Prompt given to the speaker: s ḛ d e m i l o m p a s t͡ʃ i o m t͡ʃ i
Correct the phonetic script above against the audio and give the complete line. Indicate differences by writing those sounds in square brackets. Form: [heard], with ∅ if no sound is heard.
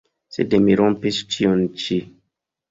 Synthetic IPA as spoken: s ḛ d e m i [ɾ] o m p [i] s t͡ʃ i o [n] t͡ʃ i